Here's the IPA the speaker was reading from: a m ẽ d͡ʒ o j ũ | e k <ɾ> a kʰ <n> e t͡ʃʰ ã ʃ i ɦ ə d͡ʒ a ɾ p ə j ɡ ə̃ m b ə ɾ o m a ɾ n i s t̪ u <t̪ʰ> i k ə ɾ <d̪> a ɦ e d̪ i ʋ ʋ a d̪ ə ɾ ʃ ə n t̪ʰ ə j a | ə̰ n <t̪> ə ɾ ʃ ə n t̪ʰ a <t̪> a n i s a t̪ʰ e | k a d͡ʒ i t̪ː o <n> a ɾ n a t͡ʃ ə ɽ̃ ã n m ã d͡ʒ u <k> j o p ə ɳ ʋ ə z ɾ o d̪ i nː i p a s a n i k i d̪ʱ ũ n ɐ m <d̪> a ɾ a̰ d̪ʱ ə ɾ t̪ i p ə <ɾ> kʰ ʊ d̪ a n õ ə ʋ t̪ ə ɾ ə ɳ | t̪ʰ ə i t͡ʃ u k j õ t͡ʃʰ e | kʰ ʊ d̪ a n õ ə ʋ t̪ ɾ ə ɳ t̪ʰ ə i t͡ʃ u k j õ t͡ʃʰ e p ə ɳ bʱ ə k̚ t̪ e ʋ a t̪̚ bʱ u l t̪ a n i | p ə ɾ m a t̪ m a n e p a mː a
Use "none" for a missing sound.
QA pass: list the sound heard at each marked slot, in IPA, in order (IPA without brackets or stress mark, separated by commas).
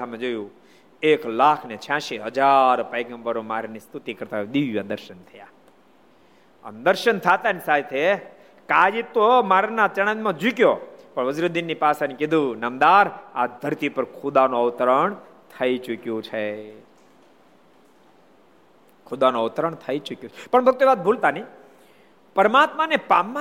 l, n, t̪, t̪, d̪, t̪, m, k, d̪, ɾ